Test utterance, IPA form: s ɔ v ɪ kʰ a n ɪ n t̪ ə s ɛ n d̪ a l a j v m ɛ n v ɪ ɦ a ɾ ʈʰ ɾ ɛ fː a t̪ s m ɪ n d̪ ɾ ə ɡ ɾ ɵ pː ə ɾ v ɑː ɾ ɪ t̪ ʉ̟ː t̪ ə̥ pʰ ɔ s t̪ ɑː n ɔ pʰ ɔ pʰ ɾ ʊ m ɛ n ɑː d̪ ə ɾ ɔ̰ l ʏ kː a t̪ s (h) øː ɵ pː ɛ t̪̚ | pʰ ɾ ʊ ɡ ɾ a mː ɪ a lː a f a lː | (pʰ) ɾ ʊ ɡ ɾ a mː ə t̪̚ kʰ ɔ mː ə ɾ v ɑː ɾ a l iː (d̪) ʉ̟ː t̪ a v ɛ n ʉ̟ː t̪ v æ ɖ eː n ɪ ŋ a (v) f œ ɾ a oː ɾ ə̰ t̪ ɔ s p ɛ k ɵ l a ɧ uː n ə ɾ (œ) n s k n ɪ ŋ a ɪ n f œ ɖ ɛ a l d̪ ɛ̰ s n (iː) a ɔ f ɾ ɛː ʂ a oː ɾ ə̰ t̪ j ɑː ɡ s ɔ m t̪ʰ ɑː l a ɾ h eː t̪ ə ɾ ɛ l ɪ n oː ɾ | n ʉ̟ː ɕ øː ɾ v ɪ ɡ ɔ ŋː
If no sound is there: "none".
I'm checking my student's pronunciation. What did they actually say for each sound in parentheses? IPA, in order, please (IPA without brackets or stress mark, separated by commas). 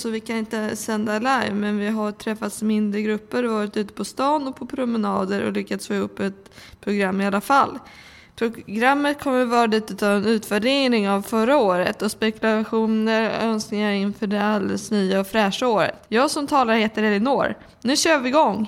f, pʰ, t̪, v, œ, yː